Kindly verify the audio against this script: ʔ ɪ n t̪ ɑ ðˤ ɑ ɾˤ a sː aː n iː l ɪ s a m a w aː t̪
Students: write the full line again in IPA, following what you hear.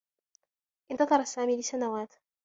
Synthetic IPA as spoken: ʔ ɪ n t̪ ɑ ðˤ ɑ ɾˤ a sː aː m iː l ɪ s a n a w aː t̪